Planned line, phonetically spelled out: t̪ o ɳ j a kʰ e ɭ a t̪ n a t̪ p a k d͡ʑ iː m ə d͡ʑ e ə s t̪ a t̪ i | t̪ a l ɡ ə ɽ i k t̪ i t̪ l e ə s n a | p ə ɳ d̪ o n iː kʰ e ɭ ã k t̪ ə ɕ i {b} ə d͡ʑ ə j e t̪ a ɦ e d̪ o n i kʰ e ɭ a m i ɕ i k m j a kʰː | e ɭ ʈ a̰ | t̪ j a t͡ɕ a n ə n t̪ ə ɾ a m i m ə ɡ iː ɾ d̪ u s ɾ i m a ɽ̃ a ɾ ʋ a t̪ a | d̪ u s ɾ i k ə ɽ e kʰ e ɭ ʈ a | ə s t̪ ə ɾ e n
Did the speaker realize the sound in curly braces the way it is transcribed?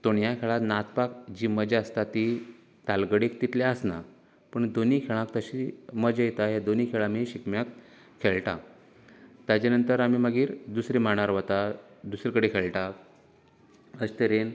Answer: no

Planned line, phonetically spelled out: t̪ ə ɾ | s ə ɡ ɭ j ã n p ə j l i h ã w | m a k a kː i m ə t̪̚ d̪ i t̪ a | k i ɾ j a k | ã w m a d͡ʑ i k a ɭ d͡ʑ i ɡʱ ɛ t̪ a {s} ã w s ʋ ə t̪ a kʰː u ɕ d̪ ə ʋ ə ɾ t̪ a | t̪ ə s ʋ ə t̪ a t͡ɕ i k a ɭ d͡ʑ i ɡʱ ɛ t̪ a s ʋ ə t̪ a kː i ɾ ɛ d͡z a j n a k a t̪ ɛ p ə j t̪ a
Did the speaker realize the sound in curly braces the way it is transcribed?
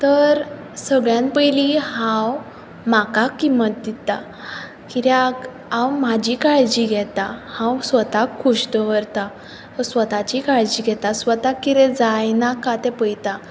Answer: no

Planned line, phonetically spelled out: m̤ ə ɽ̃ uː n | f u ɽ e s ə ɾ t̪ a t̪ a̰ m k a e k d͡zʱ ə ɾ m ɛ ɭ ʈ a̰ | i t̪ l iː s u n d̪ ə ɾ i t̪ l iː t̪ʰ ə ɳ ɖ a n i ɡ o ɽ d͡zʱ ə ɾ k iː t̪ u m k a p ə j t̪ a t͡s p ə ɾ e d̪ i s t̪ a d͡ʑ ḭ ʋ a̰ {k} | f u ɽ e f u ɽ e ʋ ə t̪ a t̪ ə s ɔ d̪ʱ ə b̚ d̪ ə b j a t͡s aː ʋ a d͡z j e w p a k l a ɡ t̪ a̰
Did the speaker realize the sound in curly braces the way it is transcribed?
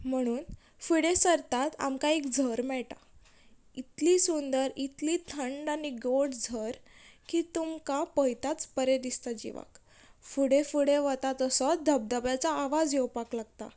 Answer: yes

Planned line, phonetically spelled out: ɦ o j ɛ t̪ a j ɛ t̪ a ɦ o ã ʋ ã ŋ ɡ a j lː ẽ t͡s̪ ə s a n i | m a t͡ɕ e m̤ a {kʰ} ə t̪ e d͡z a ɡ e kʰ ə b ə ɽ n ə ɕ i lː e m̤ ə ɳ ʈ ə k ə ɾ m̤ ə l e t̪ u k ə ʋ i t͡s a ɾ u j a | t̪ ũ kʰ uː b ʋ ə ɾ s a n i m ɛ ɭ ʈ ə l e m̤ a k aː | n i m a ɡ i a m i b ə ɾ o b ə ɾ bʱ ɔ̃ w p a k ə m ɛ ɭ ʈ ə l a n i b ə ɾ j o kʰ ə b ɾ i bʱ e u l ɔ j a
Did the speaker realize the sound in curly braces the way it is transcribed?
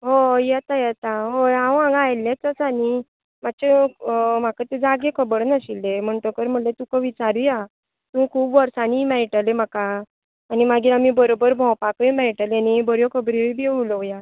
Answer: no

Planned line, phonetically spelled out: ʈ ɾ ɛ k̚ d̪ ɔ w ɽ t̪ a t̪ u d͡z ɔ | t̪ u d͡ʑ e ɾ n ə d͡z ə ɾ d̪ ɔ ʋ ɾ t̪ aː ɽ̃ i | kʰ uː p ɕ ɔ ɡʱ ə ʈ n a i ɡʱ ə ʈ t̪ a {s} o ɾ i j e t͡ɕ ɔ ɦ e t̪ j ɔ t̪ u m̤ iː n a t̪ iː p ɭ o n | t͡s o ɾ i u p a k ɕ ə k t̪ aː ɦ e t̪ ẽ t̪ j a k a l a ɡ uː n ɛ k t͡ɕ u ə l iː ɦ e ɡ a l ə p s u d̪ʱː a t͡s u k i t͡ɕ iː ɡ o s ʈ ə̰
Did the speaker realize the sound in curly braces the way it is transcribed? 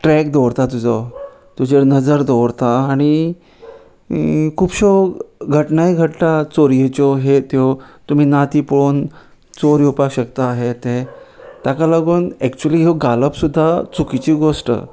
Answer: no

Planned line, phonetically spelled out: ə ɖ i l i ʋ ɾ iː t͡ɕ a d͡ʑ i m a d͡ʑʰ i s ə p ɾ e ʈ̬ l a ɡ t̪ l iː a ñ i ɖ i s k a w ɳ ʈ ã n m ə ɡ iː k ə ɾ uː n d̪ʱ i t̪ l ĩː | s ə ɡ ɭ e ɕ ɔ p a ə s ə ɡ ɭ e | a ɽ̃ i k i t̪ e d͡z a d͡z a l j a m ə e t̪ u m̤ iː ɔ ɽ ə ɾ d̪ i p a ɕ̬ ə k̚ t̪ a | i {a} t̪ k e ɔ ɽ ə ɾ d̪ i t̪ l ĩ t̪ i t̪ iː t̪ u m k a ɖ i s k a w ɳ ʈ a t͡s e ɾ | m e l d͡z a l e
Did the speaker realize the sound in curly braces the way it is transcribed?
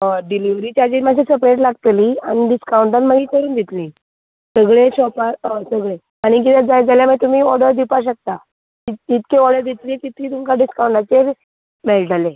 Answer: no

